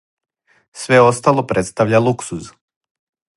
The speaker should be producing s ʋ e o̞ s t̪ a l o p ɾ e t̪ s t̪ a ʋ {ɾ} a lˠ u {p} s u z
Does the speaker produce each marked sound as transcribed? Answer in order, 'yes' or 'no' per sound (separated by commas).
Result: no, no